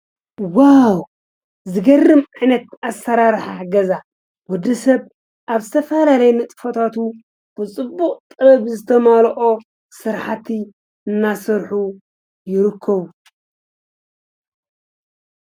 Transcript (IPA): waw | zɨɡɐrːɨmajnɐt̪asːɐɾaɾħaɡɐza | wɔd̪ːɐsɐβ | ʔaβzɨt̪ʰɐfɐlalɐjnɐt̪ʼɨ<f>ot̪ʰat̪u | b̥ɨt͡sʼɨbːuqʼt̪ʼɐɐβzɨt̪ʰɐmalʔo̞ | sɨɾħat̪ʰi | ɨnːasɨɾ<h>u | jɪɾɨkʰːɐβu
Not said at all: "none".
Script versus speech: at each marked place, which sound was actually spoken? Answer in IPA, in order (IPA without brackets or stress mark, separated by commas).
f, ħ